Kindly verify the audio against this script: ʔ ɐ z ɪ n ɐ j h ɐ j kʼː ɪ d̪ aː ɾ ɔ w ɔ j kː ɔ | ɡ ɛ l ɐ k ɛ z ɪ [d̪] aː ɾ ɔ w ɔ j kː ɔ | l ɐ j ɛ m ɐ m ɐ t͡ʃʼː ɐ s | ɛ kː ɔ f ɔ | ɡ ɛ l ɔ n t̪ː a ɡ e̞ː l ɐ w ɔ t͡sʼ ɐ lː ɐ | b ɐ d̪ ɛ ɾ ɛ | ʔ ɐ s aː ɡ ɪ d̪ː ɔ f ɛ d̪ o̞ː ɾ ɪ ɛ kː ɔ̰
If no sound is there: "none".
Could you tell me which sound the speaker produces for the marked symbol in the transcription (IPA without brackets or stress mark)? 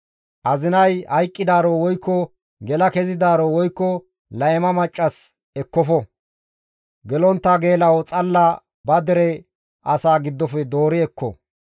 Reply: d̪